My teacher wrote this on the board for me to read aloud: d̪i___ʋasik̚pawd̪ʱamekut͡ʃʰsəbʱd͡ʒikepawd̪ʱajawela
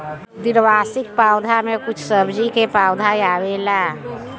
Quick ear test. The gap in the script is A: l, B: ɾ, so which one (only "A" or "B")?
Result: B